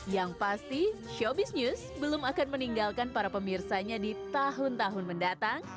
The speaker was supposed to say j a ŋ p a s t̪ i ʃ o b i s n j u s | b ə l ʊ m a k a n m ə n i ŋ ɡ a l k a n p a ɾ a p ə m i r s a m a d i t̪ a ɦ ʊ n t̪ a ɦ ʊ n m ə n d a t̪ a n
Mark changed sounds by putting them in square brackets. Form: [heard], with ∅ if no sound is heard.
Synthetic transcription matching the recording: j a ŋ p a s t̪ i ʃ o b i s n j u s | b ə l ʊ m a k a n m ə n i ŋ ɡ a l k a n p a ɾ a p ə m i r s a [ɲ] a d i t̪ a ɦ ʊ n t̪ a ɦ ʊ n m ə n d a t̪ a [ŋ]